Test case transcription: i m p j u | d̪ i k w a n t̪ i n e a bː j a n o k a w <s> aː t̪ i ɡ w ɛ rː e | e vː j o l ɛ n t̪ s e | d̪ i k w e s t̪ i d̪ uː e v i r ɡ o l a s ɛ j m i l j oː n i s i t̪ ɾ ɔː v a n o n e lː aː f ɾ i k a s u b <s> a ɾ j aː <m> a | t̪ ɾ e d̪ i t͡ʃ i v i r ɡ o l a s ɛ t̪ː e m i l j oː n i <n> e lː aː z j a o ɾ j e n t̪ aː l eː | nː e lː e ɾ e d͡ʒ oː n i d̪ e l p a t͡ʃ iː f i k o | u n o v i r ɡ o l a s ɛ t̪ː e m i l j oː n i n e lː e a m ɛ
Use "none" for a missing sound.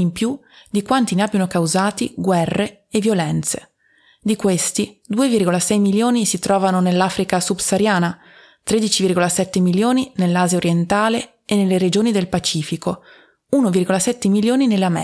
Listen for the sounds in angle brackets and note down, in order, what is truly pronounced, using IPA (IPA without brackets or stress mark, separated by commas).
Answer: z, s, n, n